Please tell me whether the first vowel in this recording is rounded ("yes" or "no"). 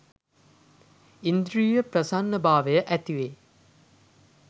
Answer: no